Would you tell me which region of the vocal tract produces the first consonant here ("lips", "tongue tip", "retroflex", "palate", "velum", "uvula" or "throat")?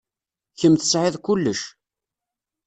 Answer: palate